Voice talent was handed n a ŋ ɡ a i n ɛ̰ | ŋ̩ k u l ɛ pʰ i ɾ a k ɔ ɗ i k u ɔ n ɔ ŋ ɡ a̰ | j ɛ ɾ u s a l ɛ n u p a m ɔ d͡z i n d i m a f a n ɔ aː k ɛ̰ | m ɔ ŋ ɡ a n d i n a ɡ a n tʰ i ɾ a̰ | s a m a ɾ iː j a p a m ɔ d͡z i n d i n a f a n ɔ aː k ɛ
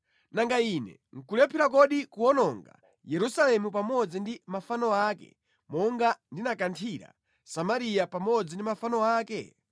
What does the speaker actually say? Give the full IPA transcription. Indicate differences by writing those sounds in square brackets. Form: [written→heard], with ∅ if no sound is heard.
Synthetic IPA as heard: n a ŋ ɡ a i n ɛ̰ | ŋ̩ k u l ɛ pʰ i ɾ a k ɔ ɗ i k u ɔ n ɔ ŋ ɡ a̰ | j ɛ ɾ u s a l ɛ [n→m] u p a m ɔ d͡z i n d i m a f a n ɔ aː k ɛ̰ | m ɔ ŋ ɡ a n d i n a [ɡ→k] a n tʰ i ɾ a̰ | s a m a ɾ [iː→i] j a p a m ɔ d͡z i n d i [n→m] a f a n ɔ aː k ɛ